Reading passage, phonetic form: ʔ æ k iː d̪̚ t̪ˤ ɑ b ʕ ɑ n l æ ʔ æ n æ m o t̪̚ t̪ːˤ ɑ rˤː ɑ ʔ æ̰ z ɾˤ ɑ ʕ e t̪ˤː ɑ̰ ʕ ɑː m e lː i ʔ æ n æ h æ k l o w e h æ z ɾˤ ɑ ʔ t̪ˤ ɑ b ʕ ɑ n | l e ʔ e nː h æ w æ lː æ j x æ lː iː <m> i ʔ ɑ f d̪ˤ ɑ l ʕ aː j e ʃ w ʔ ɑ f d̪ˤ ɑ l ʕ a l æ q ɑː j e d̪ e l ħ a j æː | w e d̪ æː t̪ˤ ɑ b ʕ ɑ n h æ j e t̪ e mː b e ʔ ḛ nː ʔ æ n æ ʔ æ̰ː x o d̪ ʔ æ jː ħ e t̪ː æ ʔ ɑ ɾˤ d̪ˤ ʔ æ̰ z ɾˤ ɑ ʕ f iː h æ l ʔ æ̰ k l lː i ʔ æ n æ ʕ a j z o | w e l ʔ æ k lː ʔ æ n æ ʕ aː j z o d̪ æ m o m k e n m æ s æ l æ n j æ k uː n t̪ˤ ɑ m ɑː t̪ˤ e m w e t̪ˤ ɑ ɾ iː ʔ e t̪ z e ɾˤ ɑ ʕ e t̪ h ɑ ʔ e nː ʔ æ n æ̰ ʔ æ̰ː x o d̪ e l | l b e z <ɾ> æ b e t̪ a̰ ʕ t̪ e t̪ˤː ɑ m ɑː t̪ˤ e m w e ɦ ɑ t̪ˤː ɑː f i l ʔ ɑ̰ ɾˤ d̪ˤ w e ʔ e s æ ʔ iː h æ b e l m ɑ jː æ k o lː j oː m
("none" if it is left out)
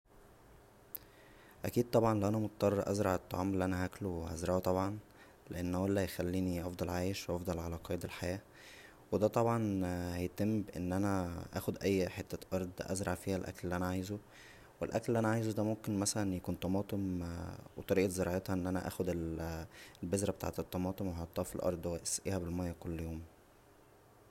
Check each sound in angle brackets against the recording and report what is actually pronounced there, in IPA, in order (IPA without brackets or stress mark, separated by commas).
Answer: n, ɾ